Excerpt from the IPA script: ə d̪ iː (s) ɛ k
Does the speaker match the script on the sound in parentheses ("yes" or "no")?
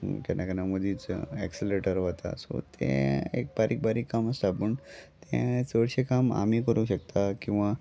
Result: no